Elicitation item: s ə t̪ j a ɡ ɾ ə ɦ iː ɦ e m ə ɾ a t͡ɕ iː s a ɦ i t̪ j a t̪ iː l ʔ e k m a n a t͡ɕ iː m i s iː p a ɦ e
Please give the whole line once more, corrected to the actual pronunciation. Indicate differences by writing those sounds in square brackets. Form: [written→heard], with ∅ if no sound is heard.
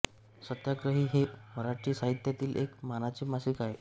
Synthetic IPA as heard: s ə t̪ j a ɡ ɾ ə ɦ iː ɦ e m ə ɾ a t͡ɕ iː s a ɦ i t̪ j a t̪ iː l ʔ e k m a n a t͡ɕ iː m [i→a] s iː [p→k] a ɦ e